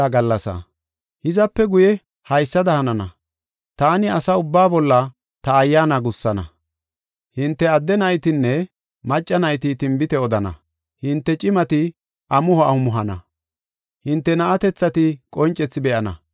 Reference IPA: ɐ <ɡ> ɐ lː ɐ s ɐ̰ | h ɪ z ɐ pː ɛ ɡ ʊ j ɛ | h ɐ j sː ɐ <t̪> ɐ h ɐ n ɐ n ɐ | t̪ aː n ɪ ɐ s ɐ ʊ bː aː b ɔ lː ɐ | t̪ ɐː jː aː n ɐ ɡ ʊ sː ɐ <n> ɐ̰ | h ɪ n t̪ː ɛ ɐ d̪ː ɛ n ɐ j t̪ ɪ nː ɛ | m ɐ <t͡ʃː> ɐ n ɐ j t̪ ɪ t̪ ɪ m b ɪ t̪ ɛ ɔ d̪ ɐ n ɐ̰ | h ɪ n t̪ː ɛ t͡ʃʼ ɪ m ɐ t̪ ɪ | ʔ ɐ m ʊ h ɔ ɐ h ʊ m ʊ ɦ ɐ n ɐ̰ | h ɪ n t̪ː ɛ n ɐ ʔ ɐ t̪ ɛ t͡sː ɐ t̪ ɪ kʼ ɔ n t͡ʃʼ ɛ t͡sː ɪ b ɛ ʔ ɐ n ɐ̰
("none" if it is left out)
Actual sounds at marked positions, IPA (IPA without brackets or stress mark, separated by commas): ɡ, d̪, n, t͡ʃʼː